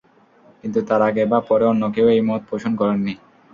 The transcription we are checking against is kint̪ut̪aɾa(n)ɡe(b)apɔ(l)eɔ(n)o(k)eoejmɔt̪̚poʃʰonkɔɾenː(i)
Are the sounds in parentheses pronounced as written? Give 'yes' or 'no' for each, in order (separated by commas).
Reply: no, yes, no, no, yes, yes